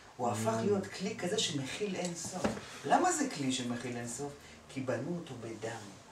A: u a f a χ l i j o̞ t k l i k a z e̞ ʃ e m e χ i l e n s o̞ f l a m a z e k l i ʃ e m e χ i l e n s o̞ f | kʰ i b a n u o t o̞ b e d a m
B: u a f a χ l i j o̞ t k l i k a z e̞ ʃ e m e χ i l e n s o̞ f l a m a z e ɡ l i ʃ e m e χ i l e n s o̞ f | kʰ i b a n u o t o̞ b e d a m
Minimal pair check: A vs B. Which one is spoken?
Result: A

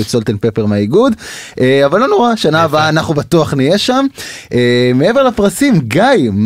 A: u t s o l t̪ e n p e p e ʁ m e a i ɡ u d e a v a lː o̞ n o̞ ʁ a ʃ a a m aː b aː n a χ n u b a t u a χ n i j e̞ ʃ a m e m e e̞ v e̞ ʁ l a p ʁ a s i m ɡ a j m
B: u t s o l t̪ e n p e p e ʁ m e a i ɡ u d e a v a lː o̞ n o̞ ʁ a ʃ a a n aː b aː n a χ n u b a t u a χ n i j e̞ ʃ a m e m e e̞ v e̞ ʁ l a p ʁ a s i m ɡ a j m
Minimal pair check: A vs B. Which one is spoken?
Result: B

